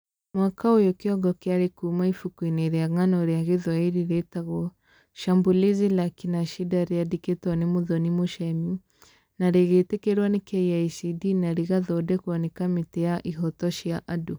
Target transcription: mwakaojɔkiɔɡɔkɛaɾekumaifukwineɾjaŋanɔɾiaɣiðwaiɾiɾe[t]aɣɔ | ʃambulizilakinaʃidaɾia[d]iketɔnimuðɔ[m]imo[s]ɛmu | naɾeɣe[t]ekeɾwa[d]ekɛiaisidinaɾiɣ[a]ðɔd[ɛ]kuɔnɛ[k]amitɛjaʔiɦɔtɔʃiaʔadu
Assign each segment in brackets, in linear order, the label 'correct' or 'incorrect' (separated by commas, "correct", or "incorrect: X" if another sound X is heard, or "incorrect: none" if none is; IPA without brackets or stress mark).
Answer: correct, correct, incorrect: n, incorrect: ʃ, correct, incorrect: n, correct, correct, correct